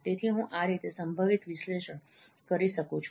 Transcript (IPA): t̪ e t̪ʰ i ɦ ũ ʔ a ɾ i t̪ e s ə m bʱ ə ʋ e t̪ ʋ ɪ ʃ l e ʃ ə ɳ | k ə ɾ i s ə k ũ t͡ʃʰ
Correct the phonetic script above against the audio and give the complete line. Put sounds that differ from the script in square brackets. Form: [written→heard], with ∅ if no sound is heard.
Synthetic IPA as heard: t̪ e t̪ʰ i ɦ ũ ʔ a ɾ i t̪ e s ə m bʱ ə ʋ [e→i] t̪ ʋ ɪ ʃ l e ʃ ə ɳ | k ə ɾ i [s→ʃ] ə k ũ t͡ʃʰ